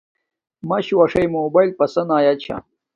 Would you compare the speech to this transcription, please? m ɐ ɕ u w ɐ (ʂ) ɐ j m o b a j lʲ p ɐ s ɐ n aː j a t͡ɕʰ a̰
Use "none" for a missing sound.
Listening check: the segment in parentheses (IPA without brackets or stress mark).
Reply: ʂ